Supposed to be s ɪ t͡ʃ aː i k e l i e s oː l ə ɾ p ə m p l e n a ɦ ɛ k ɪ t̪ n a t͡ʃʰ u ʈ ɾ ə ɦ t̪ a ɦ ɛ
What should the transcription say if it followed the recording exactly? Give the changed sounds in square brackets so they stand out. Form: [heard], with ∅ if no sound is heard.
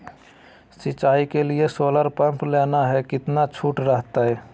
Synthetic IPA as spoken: s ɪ t͡ʃ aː i k e l i e s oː l ə ɾ p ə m p l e n a ɦ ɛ k ɪ t̪ n a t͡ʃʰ u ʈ ɾ ə ɦ t̪ a ɦ ɛ